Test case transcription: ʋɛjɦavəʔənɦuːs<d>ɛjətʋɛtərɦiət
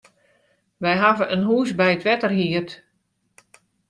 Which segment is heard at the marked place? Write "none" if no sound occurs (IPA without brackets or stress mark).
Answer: b